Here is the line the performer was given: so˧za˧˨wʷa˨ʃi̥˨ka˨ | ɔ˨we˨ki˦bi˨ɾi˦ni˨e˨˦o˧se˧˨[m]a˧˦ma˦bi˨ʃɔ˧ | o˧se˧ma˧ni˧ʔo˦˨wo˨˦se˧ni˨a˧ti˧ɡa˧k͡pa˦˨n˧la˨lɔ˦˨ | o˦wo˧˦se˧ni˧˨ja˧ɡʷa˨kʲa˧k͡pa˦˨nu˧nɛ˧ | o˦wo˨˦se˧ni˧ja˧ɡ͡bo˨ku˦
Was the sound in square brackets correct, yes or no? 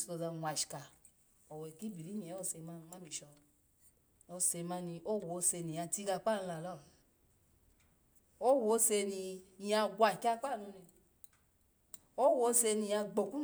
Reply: yes